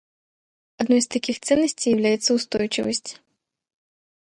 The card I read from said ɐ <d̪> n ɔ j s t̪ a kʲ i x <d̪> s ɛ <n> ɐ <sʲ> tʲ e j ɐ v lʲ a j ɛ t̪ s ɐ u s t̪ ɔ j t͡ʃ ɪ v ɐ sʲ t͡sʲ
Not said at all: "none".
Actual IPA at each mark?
d̪, t̪, nː, sʲ

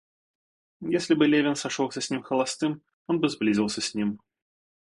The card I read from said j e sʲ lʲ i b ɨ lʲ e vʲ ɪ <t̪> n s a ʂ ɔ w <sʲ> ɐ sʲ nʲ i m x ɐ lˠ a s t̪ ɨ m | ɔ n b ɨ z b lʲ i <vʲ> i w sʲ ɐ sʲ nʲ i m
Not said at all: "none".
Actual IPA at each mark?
none, sʲ, zʲ

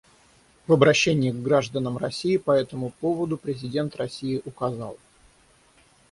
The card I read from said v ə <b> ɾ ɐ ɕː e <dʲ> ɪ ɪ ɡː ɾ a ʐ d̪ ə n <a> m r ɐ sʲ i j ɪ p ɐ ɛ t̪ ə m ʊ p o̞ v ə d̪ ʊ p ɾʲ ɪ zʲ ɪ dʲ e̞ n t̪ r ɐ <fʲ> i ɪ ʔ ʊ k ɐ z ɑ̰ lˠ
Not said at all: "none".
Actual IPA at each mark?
b, nʲ, ə, sʲ

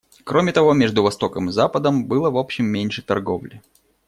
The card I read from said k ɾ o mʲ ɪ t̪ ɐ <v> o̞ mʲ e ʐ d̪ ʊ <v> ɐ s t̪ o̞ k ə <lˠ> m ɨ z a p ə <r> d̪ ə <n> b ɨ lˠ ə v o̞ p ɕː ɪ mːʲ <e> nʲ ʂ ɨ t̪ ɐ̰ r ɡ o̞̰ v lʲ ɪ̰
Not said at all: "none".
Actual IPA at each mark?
v, v, none, none, m, e

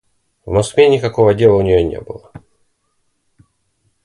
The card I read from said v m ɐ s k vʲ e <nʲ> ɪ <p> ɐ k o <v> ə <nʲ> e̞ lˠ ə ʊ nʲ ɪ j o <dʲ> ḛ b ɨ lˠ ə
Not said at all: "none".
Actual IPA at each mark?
nʲ, k, v, dʲ, nʲ

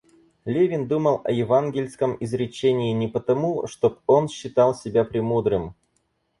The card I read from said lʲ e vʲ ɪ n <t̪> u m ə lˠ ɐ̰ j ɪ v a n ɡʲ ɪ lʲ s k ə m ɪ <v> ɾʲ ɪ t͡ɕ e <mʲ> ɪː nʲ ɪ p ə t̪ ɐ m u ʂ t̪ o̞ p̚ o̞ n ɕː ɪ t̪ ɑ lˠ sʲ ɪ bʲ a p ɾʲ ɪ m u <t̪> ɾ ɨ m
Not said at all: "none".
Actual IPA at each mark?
d̪, z, nʲ, d̪

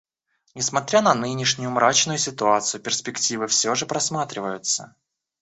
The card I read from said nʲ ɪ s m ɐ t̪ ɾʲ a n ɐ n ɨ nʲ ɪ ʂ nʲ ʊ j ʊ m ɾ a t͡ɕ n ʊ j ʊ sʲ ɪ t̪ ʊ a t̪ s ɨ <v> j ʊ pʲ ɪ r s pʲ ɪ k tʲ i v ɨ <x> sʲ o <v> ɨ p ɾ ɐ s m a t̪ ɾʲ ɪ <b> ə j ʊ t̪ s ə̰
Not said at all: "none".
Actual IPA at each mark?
none, f, ʐ, v

